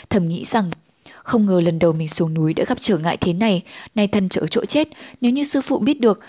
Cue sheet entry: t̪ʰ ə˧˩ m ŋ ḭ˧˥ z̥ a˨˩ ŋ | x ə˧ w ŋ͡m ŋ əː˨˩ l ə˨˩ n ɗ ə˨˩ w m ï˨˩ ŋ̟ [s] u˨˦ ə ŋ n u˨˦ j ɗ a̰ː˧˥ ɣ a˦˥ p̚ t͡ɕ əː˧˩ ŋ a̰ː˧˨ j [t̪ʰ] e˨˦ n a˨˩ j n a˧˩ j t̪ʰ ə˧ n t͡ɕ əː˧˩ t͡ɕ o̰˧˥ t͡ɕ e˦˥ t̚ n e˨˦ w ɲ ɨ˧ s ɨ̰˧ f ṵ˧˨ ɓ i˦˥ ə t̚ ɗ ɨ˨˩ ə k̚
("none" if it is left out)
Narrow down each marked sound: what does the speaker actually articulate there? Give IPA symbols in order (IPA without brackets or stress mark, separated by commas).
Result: s, t̪ʰ